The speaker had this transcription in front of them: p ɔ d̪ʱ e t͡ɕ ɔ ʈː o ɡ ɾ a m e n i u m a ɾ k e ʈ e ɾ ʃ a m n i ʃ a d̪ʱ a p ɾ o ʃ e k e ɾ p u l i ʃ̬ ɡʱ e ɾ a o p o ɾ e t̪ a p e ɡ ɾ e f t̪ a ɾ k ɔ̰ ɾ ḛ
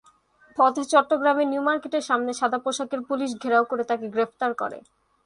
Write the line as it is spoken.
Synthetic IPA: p ɔ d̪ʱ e t͡ɕ ɔ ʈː o ɡ ɾ a m e n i u m a ɾ k e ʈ e ɾ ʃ a m n e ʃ a d̪ʱ a p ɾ o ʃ a k e ɾ p u l i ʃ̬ ɡʱ e ɾ a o k o ɾ e t̪ a k e ɡ ɾ e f t̪ a ɾ k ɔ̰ ɾ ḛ